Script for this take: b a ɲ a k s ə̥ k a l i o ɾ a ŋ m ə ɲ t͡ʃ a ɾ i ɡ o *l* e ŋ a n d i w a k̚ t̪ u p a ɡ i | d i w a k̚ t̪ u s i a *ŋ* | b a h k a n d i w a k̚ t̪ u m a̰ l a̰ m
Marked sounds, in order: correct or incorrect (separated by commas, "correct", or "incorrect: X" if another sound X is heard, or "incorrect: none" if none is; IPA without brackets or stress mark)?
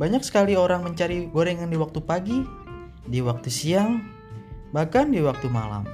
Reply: incorrect: ɾ, correct